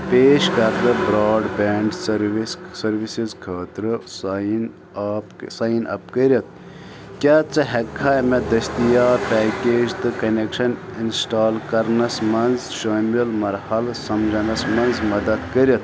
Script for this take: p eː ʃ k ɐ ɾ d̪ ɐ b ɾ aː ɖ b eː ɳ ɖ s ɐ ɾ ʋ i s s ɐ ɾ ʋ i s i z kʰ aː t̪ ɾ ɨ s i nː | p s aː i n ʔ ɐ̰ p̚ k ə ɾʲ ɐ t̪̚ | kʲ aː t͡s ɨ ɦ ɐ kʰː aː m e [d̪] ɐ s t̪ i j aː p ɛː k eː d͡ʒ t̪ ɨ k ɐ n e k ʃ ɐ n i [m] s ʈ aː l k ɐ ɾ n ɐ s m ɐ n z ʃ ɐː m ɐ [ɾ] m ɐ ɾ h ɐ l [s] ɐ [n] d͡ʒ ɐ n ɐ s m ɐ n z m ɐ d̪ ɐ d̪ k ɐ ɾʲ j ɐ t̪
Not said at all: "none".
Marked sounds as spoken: d̪, n, l, s, m

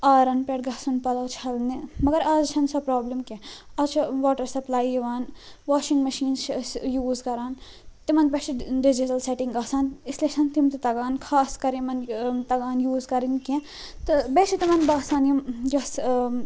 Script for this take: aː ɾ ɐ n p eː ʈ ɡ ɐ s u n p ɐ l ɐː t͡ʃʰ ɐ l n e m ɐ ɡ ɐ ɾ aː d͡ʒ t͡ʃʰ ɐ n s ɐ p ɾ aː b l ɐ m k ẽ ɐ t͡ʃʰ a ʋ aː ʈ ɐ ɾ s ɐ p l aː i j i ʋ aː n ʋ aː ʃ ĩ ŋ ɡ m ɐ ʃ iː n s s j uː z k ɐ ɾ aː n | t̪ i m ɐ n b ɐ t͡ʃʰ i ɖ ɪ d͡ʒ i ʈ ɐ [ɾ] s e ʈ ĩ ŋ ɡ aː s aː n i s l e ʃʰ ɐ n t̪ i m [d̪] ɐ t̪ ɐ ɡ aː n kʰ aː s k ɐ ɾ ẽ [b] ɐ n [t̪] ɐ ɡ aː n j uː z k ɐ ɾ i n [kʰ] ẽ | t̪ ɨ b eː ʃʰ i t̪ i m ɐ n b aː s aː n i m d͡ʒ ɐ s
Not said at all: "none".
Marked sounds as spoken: l, t̪, m, t̪, k

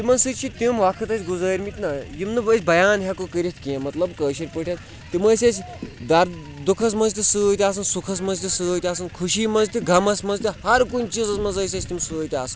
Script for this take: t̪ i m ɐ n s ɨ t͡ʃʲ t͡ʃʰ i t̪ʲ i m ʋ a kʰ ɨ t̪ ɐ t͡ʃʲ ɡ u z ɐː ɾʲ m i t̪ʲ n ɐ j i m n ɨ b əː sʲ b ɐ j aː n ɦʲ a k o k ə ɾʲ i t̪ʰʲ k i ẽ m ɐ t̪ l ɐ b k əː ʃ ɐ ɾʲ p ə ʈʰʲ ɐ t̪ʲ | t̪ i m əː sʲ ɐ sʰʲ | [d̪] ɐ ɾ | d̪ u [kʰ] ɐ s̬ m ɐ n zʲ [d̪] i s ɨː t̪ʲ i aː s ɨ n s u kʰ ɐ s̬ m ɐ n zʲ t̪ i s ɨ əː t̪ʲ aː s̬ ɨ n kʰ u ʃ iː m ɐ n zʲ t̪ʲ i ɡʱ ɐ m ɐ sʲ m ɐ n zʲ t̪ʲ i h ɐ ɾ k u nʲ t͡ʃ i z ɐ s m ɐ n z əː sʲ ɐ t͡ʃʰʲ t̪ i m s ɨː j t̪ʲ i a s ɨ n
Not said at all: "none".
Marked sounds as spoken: d̪, kʰ, t̪

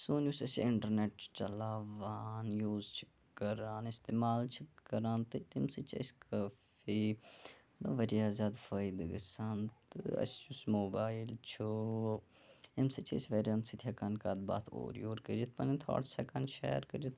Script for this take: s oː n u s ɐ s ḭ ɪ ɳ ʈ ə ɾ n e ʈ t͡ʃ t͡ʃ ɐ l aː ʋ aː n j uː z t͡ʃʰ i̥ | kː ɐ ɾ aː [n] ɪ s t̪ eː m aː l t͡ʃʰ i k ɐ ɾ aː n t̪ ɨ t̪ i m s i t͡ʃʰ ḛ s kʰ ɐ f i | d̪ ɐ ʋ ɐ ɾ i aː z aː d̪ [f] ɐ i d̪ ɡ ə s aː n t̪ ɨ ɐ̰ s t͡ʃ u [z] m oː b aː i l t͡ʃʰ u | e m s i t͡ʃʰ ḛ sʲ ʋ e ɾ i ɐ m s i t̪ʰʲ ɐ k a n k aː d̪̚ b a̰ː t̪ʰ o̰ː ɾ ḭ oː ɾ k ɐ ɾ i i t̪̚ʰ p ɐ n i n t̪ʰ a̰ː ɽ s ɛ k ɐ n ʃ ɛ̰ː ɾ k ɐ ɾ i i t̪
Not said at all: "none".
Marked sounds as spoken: n, f, s

